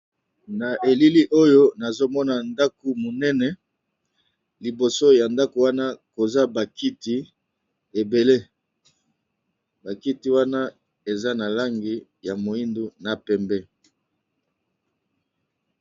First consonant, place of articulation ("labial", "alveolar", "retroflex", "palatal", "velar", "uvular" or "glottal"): alveolar